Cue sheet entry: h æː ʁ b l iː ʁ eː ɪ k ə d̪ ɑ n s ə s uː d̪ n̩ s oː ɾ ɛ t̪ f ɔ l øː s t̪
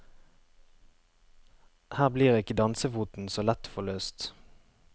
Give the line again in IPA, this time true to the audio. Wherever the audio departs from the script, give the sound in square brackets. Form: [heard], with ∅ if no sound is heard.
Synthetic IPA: h æː ʁ b l iː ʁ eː ɪ k ə d̪ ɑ n s ə [f] uː [t̪] n̩ s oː [l] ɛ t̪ f ɔ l øː s t̪